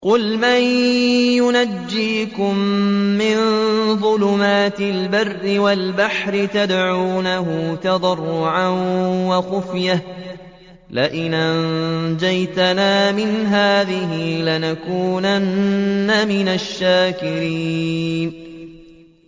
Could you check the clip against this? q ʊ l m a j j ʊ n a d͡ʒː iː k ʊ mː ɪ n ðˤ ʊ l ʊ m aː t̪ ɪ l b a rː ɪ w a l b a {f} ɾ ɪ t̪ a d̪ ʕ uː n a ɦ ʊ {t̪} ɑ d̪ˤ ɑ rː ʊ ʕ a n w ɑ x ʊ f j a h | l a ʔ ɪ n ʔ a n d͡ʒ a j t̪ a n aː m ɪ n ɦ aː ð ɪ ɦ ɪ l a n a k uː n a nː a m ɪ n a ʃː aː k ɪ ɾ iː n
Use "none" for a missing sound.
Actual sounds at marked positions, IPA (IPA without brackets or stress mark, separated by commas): ħ, t̪